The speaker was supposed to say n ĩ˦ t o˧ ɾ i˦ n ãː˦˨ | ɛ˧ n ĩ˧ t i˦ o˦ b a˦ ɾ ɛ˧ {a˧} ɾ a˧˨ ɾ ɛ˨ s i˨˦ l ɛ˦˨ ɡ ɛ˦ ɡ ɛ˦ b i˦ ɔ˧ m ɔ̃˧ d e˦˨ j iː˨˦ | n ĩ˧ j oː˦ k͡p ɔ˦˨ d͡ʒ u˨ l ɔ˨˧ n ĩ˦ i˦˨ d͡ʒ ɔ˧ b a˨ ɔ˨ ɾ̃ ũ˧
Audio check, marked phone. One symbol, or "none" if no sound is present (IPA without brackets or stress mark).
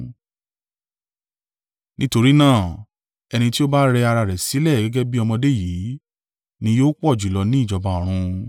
a˧